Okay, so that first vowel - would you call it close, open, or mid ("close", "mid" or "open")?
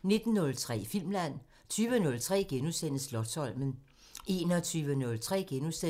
mid